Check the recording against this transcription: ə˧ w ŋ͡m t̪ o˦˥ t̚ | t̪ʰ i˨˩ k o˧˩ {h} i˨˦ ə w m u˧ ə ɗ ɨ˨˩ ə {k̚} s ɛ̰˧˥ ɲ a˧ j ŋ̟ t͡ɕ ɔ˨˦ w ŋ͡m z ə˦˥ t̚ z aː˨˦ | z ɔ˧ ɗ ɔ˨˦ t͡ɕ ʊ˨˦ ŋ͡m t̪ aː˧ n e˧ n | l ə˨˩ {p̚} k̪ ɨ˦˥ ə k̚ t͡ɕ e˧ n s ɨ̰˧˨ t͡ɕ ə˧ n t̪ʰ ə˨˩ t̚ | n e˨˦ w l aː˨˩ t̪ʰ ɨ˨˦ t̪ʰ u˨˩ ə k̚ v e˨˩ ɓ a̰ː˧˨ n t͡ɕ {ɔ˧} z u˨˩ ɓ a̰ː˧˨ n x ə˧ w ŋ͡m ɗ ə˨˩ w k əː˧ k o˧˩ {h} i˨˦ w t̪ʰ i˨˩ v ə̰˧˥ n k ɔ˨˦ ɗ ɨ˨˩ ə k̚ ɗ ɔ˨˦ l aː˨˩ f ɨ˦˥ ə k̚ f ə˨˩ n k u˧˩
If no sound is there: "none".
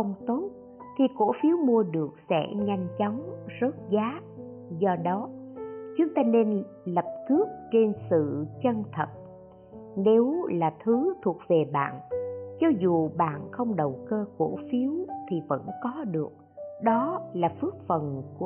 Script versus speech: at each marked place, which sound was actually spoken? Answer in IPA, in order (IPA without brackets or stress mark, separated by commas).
f, k̚, p̚, ɔ˧, f